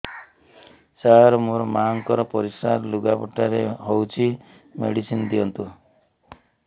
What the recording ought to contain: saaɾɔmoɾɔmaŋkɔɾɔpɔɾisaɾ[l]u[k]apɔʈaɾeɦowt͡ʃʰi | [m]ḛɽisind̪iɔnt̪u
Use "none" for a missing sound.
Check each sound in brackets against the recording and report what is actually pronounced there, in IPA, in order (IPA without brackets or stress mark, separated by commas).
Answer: l, ɡ, m